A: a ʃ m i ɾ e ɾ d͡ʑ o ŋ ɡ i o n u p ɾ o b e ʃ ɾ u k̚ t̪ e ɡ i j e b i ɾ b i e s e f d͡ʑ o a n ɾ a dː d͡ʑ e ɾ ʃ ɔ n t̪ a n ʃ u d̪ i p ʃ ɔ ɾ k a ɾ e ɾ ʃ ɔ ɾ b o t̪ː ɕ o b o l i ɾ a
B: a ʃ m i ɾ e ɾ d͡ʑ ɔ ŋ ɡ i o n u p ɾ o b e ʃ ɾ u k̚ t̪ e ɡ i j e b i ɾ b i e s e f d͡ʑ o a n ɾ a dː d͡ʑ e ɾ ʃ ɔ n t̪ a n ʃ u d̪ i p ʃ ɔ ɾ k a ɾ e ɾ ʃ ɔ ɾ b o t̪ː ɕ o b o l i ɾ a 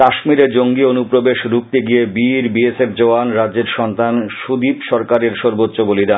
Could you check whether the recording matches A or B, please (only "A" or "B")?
A